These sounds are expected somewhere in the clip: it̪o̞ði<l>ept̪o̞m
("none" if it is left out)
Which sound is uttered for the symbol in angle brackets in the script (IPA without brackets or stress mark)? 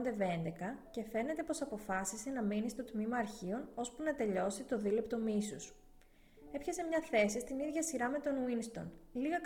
l